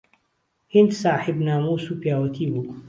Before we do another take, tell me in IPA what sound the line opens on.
h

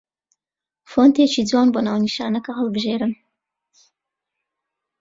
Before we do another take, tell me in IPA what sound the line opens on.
f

